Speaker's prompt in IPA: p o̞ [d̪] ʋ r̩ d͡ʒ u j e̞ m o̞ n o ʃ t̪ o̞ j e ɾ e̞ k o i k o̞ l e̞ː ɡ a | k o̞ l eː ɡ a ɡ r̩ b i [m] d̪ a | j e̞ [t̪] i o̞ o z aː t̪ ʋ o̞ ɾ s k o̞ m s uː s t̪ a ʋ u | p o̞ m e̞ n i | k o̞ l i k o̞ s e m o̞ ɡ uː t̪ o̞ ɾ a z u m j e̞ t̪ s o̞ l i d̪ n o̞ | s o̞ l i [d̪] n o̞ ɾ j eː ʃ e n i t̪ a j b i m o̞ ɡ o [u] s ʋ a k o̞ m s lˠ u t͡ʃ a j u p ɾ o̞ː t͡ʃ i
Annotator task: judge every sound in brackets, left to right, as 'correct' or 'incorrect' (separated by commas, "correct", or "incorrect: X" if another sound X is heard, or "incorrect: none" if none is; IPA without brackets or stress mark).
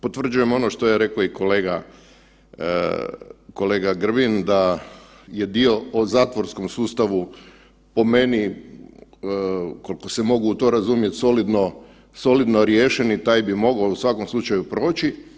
incorrect: t̪, incorrect: n, incorrect: d̪, correct, correct